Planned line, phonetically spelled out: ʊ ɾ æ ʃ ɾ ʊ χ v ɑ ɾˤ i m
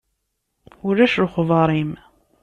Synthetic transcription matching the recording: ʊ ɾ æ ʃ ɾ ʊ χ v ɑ ɾˤ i m

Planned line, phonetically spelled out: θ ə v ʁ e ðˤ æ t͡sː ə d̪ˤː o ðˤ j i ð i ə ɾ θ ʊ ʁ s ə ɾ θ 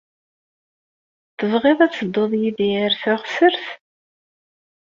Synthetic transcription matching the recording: θ ə v ʁ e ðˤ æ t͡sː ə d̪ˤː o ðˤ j i ð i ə ɾ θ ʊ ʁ s ə ɾ θ

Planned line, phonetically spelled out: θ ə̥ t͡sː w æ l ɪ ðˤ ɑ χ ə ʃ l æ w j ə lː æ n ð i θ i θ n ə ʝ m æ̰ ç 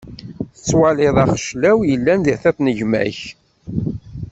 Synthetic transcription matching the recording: θ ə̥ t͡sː w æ l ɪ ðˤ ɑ χ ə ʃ l æ w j ə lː æ n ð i θ æ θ n ə ʝ m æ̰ ç

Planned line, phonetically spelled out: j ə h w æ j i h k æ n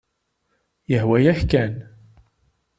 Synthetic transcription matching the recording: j ə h w æ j æ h k æ n

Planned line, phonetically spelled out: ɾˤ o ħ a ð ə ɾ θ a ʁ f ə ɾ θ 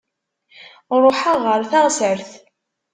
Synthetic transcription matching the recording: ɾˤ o ħ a ʁ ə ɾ θ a ʁ s ə ɾ θ

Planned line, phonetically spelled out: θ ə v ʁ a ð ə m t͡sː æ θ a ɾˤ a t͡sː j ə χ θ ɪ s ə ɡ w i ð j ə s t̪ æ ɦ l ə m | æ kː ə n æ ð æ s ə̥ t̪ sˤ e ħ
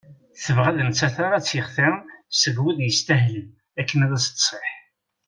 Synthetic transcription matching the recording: θ ə v ʁ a ð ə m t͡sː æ θ a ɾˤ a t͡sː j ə χ θ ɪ s ə ɡ w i ð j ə s t̪ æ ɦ l ə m | æ kː ə n æ ð æ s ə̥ t̪ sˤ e ħ

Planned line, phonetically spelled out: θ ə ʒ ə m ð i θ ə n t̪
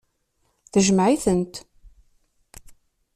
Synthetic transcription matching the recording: θ ə ʒ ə m ʕ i θ ə n t̪

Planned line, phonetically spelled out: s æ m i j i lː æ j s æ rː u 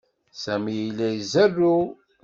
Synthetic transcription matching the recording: s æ m i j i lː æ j z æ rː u

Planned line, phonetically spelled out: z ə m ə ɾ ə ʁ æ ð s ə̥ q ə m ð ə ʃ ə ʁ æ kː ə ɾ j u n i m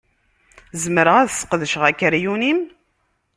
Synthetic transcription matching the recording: z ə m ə ɾ ə ʁ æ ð s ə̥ q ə ð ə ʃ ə ʁ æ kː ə ɾ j u n i m

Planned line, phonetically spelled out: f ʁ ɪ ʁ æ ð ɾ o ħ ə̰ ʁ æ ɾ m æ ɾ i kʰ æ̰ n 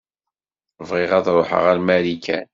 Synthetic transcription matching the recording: v ʁ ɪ ʁ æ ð ɾ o ħ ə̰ ʁ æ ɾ m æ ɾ i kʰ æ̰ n

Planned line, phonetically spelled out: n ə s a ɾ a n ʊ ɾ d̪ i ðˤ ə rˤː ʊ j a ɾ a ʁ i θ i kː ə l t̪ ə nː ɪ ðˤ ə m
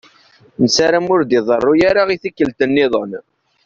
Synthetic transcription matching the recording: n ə s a ɾ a m ʊ ɾ d̪ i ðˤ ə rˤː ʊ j a ɾ a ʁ i θ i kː ə l t̪ ə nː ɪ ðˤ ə n

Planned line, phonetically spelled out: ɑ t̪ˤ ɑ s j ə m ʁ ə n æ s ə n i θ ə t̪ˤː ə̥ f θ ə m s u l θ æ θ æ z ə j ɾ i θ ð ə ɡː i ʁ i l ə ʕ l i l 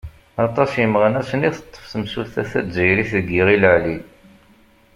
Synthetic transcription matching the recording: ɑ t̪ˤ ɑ s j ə m ʁ ə n æ s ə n i θ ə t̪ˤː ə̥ f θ ə m s u l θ æ θ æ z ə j ɾ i θ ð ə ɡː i ʁ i l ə ʕ l i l

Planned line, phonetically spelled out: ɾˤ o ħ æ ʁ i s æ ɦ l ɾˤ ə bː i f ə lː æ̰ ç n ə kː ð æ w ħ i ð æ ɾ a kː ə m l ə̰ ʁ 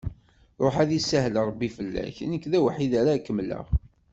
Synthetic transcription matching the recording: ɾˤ o ħ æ ð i s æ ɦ l ɾˤ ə bː i f ə lː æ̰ ç n ə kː ð æ w ħ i ð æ ɾ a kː ə m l ə̰ ʁ

